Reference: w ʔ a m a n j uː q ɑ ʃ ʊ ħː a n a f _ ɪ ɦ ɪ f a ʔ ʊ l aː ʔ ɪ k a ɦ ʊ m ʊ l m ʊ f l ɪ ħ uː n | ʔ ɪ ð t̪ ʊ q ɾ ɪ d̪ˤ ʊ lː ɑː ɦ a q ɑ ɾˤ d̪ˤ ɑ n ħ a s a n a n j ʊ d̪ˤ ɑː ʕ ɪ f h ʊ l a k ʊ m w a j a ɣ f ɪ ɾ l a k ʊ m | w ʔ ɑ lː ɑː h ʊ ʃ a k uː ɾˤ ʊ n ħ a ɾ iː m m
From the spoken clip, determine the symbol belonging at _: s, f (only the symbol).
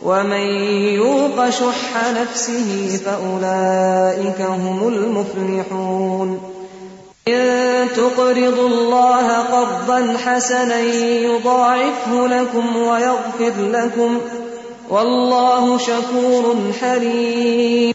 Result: s